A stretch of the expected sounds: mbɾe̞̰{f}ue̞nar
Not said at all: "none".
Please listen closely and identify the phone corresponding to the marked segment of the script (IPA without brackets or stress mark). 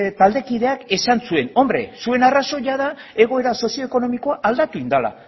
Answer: s